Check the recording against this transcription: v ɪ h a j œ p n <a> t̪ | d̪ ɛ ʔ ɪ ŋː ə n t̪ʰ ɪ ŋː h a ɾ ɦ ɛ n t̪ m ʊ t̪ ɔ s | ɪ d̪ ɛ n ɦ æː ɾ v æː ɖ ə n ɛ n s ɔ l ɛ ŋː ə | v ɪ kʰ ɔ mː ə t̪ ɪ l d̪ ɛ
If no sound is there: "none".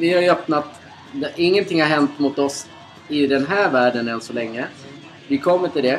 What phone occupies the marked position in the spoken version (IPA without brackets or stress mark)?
a